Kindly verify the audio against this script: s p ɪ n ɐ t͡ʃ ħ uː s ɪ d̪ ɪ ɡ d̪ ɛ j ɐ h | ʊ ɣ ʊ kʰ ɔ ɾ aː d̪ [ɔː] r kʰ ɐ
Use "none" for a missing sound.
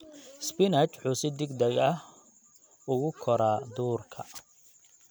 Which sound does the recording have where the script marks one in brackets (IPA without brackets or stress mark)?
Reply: uː